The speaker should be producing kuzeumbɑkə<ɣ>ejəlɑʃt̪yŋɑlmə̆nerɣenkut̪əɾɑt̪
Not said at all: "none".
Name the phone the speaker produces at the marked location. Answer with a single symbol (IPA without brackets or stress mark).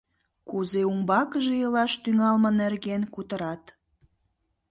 ʒ